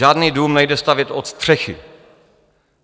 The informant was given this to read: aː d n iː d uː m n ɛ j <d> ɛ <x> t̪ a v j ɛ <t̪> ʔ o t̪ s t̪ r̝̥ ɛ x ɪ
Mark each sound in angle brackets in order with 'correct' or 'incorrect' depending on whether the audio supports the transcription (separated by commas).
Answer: correct, incorrect, correct